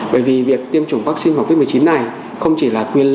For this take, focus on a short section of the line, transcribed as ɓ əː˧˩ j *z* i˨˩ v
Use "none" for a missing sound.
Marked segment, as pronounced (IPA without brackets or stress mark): v